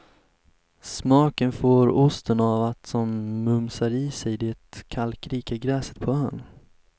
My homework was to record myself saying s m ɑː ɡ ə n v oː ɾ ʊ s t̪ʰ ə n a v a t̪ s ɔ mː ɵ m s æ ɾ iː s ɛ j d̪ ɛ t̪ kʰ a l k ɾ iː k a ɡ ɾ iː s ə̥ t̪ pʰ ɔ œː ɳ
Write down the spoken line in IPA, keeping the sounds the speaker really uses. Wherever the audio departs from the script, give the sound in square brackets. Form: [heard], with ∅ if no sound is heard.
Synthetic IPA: s m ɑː [k] ə n [f] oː ɾ ʊ s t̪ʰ ə n a v a t̪ s ɔ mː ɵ m s [a] ɾ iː s ɛ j d̪ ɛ t̪ kʰ a l k ɾ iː k a ɡ ɾ [ɛː] s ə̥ t̪ pʰ ɔ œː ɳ